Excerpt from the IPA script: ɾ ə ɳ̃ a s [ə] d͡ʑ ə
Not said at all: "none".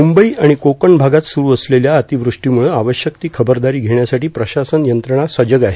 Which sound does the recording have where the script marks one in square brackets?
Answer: ə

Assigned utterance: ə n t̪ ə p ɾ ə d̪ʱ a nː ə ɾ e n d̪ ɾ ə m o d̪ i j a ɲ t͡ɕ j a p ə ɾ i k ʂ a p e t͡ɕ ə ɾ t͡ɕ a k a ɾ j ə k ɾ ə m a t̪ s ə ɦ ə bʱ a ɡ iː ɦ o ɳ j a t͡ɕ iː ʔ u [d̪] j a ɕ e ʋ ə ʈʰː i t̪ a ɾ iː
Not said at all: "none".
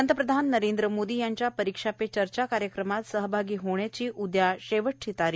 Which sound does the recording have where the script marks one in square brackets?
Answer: d̪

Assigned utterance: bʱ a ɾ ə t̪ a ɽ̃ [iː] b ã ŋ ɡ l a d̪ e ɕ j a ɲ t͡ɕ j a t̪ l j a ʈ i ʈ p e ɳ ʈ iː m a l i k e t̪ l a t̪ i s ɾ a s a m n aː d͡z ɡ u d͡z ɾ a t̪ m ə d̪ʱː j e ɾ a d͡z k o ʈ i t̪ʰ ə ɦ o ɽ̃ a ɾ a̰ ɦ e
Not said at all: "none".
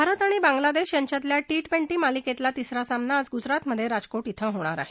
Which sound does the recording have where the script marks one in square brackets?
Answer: i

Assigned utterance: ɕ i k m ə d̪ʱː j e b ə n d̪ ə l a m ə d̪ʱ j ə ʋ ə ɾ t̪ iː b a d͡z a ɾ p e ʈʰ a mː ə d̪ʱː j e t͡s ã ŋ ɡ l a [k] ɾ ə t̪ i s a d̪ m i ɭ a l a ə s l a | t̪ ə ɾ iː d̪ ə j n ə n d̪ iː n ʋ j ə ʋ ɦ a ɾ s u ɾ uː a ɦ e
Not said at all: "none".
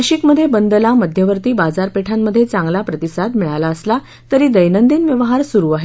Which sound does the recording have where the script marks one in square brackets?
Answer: p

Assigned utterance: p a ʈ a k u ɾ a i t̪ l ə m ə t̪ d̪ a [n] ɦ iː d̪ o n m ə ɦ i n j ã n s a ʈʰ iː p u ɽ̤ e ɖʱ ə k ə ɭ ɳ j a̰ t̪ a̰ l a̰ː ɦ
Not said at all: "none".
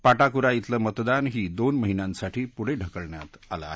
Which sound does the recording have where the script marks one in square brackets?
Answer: n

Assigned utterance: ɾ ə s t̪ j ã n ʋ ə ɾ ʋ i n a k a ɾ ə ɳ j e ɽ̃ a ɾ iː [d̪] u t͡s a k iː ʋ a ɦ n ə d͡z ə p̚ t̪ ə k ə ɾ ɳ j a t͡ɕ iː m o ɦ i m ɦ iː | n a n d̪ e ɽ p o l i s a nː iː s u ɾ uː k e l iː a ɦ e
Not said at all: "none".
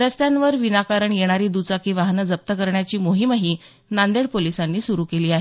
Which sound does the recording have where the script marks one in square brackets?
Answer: d̪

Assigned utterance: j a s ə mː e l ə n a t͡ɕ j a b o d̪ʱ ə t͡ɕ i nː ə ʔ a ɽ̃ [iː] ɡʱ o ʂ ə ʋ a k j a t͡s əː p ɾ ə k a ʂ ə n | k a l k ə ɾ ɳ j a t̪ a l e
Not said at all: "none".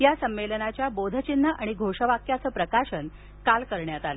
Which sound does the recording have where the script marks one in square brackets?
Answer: i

